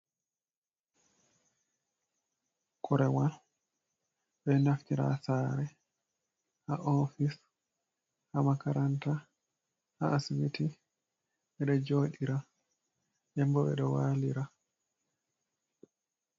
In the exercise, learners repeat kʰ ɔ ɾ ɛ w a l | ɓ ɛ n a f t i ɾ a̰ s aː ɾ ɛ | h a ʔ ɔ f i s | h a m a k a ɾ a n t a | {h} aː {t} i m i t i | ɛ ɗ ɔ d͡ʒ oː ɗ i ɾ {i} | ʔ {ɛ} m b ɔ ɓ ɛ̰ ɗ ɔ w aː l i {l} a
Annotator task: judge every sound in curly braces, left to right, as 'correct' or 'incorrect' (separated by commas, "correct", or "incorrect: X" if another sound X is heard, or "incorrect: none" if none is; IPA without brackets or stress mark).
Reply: correct, incorrect: s, incorrect: a, correct, incorrect: ɾ